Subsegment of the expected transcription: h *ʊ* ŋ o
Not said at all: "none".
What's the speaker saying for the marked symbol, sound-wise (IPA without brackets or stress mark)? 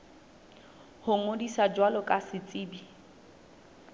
ʊ